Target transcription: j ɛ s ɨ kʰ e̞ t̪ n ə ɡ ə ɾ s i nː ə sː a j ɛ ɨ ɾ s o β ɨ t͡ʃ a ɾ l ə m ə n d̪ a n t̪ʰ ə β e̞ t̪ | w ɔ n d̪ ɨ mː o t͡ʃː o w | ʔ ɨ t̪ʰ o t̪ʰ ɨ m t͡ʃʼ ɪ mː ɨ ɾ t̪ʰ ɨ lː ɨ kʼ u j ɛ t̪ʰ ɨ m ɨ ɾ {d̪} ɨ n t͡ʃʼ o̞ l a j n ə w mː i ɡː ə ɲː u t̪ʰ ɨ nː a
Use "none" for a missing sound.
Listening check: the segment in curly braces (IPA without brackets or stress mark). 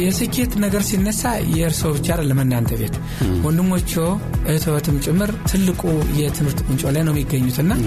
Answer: t̪